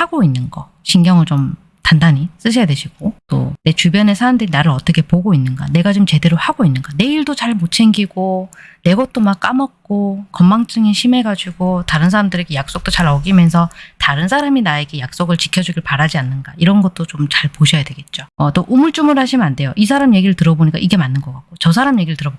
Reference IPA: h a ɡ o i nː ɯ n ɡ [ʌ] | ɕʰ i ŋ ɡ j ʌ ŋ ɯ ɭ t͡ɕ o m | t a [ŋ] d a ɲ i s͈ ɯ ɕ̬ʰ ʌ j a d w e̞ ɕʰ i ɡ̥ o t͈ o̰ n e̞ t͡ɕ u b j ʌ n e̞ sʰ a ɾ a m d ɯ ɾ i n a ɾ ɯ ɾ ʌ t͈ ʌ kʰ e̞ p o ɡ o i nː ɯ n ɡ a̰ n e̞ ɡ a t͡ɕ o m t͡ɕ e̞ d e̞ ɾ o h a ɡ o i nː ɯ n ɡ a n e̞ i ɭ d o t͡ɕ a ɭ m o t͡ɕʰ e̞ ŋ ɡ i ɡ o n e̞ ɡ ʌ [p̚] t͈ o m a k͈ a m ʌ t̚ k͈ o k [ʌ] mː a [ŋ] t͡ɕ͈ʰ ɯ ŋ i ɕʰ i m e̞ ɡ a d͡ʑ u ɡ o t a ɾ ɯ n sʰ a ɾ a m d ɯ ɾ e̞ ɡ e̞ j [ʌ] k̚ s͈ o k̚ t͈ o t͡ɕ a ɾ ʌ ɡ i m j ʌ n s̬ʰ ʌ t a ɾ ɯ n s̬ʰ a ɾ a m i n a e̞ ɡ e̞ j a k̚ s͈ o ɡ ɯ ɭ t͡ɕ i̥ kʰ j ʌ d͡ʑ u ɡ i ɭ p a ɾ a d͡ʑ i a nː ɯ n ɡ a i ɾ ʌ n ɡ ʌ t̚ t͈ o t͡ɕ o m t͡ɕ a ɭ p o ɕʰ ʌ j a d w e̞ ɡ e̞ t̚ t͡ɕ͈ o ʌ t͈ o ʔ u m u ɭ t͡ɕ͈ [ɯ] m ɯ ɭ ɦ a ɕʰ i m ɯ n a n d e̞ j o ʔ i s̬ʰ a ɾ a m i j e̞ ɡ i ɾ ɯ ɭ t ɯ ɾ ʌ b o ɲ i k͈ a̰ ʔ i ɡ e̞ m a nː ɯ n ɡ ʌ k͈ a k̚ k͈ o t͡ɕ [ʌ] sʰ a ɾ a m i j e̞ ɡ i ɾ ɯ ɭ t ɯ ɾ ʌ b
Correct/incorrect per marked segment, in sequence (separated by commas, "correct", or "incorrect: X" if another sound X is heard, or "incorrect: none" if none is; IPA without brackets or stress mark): correct, incorrect: n, incorrect: t̚, correct, correct, incorrect: a, incorrect: u, correct